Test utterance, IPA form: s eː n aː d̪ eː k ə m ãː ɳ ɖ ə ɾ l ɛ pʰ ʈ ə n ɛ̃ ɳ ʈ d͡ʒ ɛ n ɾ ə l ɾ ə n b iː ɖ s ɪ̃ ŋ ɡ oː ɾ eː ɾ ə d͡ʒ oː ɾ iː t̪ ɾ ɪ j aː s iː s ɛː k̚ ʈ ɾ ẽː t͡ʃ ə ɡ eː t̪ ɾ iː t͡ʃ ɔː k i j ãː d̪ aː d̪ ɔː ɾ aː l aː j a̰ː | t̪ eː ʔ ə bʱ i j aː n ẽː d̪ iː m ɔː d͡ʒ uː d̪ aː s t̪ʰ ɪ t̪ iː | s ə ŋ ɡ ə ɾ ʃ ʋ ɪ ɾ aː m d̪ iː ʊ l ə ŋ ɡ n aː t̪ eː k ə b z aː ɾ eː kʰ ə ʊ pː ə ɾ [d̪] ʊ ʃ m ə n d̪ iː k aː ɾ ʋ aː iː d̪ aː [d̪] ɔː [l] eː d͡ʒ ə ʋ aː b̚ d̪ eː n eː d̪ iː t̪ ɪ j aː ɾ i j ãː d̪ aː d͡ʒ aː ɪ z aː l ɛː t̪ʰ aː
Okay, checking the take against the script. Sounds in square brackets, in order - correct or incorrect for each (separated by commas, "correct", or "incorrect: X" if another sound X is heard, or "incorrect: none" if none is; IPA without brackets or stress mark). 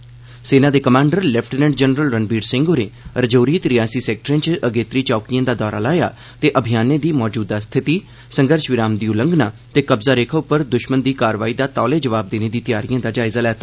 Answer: correct, incorrect: t̪, correct